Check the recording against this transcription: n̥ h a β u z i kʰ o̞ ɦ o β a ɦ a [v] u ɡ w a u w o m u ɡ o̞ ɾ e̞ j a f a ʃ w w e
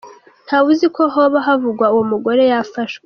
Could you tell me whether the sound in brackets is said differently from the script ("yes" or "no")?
no